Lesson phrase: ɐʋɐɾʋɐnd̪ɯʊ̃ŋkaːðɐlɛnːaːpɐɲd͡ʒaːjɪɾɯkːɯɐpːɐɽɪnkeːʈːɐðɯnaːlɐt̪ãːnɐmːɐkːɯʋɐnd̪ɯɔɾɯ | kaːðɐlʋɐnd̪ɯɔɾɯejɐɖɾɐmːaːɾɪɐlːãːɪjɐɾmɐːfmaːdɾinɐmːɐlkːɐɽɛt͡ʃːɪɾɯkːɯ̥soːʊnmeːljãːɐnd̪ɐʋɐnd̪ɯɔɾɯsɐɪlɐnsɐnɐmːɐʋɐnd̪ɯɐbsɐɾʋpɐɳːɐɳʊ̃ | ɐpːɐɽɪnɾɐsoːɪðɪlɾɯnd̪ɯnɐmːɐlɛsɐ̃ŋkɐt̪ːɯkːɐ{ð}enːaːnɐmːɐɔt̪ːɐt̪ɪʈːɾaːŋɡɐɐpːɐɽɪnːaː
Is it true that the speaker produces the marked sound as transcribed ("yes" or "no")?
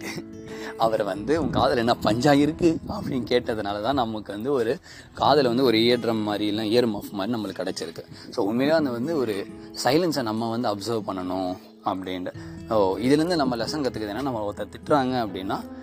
yes